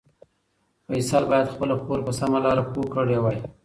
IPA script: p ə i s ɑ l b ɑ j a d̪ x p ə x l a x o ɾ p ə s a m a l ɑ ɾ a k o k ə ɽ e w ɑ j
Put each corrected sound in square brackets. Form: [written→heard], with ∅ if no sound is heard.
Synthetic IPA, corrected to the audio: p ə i s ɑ l b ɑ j a d̪ x p ə [x→∅] l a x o ɾ p ə s a m a l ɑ ɾ a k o k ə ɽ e w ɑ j